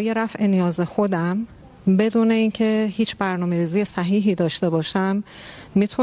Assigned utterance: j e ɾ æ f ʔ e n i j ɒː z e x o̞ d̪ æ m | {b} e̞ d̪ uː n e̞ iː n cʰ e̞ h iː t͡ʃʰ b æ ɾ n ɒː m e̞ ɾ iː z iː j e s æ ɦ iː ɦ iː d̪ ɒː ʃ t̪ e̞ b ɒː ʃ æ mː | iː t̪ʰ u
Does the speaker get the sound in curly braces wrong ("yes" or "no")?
no